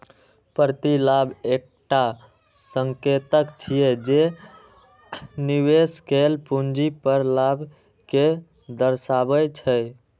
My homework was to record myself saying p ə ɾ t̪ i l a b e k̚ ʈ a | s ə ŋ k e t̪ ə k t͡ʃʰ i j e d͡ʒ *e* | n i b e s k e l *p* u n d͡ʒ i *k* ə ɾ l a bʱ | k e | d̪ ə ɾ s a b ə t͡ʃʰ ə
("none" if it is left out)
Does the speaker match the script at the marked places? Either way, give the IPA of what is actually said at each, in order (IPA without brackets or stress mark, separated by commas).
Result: e, p, p